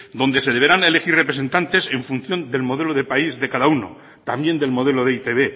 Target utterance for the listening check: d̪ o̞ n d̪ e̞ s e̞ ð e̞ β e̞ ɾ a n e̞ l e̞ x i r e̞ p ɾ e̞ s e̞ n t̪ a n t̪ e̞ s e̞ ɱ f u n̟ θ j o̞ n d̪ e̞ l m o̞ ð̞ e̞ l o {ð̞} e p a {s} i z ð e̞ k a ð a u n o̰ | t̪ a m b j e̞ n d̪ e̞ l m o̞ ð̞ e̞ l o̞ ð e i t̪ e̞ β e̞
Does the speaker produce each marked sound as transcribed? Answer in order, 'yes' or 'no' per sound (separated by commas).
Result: yes, no